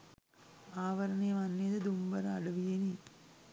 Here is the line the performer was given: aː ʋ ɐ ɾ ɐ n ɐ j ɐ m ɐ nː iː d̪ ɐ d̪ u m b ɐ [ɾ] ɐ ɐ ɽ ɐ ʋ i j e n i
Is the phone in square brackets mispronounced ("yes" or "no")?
no